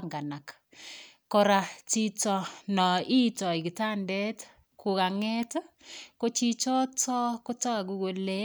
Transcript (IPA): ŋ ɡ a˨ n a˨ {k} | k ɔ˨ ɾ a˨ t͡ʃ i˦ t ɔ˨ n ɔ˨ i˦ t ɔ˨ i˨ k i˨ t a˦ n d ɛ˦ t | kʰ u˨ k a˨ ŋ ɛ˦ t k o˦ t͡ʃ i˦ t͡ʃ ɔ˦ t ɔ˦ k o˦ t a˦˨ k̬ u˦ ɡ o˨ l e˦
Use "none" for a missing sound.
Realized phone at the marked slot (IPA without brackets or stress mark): k